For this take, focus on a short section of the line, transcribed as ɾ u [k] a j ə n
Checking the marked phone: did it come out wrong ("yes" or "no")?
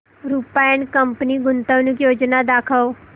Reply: yes